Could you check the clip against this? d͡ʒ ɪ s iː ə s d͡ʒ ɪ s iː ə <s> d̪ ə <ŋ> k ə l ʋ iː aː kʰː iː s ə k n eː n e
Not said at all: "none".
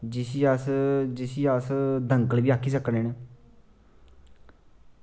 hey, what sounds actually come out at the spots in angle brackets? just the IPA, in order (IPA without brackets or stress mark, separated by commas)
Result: s, ŋ